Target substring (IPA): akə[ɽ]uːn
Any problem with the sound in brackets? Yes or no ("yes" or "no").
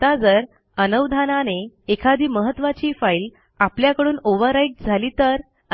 no